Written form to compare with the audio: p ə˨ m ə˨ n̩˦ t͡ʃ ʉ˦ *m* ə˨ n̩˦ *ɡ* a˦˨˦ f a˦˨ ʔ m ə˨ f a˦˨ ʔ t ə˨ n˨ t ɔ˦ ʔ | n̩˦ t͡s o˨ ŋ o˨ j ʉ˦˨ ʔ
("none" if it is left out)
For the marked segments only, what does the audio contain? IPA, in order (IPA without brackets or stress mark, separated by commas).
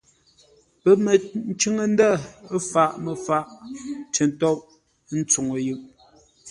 ŋ, d